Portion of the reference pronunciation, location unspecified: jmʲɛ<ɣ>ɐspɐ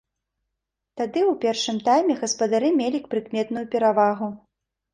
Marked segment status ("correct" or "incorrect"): correct